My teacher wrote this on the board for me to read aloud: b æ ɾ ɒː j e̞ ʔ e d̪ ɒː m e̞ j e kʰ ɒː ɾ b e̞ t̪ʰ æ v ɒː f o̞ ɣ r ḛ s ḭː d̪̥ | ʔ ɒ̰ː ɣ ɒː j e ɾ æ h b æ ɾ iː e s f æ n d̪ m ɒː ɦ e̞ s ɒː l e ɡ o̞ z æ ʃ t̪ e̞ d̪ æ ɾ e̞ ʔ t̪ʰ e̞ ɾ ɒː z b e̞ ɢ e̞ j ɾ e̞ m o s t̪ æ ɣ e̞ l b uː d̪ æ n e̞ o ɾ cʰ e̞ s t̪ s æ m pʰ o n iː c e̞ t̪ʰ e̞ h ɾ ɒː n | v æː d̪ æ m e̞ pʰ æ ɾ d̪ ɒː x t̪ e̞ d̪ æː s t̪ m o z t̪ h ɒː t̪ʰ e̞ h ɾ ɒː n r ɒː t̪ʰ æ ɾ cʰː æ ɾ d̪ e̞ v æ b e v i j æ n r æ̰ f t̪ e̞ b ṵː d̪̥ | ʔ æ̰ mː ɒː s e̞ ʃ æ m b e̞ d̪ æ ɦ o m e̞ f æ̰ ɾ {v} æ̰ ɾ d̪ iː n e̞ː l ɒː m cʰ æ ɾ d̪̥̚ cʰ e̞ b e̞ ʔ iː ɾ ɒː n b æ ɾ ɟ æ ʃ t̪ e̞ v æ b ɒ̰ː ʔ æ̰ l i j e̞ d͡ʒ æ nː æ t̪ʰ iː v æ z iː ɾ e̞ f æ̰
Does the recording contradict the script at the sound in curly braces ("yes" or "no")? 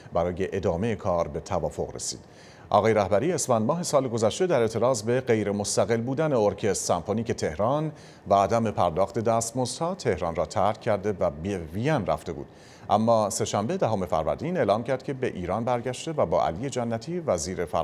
no